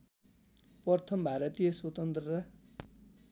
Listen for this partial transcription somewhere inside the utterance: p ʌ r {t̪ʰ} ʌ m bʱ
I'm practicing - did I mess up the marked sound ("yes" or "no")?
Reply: no